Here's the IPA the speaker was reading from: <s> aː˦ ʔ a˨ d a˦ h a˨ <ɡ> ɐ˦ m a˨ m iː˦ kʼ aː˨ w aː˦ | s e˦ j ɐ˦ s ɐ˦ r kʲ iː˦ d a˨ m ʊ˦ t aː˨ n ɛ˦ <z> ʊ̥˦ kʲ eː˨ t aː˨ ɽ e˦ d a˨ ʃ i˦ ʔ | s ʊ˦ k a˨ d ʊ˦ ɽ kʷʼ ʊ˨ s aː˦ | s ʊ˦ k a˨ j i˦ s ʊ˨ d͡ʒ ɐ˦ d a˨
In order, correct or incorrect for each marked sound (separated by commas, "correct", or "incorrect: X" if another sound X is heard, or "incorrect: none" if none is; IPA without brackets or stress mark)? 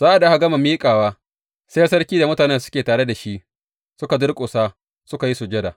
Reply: incorrect: z, correct, incorrect: s